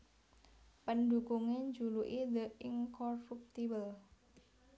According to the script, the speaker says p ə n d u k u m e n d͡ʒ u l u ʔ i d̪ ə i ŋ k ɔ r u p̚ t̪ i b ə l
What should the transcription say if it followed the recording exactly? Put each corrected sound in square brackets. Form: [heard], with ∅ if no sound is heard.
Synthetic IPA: p ə n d u k u [ŋ] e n d͡ʒ u l u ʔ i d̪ ə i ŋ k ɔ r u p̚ t̪ i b ə l